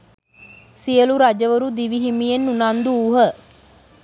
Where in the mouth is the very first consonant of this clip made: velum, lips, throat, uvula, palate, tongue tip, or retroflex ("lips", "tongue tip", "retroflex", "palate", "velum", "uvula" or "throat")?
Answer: tongue tip